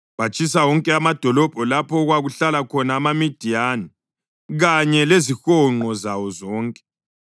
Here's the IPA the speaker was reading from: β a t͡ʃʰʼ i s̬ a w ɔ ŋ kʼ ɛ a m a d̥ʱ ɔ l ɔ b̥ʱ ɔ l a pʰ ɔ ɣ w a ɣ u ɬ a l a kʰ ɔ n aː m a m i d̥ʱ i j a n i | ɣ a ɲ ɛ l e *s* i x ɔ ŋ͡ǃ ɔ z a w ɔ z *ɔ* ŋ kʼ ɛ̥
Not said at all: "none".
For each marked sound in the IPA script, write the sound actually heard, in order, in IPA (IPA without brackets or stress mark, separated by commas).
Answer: z, ɔː